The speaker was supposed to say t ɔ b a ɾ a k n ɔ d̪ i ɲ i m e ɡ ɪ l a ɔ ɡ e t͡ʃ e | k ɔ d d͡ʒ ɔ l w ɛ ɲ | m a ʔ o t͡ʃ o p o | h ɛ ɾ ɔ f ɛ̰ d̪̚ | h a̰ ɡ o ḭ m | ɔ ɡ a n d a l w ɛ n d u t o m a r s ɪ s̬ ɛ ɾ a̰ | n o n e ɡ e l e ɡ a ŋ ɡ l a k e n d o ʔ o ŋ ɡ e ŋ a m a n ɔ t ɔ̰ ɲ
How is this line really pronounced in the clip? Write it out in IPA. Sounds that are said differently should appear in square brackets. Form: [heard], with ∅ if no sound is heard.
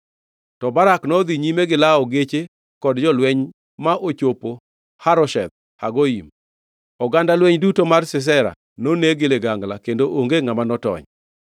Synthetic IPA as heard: t ɔ b a ɾ a k n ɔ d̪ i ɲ i m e ɡ ɪ l a ɔ ɡ e t͡ʃ e | k ɔ d d͡ʒ ɔ l w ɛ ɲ | m a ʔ o t͡ʃ o p o | h [a] ɾ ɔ [ʃ] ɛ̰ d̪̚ | h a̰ ɡ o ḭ m | ɔ ɡ a n d a l w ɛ [ɲ] d u t o m a r s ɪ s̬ ɛ ɾ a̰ | n o n e ɡ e l e ɡ a ŋ ɡ l a k e n d o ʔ o ŋ ɡ e ŋ a m a n ɔ t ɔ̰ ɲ